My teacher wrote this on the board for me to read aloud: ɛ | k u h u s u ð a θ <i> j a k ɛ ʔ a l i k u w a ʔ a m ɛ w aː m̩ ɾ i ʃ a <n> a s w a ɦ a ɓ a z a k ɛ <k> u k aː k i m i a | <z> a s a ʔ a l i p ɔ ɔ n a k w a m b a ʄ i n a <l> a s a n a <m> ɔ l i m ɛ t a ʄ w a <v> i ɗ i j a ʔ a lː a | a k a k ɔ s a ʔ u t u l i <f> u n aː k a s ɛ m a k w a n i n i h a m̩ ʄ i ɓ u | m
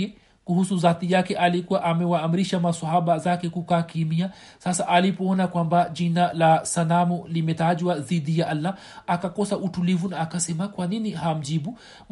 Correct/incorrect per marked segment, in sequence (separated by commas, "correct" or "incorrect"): correct, incorrect, correct, incorrect, correct, correct, incorrect, incorrect